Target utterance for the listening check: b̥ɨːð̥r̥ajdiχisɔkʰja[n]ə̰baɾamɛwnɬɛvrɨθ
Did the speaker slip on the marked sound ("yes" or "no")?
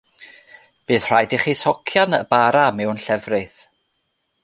no